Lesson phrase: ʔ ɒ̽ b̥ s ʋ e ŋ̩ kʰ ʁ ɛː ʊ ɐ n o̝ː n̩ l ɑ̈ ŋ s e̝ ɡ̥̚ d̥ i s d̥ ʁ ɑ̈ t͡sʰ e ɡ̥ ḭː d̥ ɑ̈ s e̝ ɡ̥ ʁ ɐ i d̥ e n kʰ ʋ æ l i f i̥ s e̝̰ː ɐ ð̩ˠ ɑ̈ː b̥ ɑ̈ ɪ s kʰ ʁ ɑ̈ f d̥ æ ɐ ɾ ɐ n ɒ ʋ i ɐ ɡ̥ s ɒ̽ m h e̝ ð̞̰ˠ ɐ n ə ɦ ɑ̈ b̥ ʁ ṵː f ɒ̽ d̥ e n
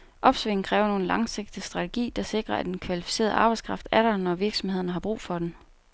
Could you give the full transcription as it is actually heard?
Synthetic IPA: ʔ ɒ̽ b̥ s ʋ e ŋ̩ kʰ ʁ ɛː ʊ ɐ n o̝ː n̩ l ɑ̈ ŋ s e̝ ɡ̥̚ d̥ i s d̥ ʁ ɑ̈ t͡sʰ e ɡ̥ ḭː d̥ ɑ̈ s e̝ ɡ̥ ʁ ɐ æ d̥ e n kʰ ʋ æ l i f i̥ s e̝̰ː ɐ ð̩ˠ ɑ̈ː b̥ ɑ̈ ɪ s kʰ ʁ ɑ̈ f d̥ æ ɐ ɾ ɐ n ɒ ʋ i ɐ ɡ̥ s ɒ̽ m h e̝ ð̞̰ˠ ɐ n ə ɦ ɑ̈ b̥ ʁ ṵː f ɒ̽ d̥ e n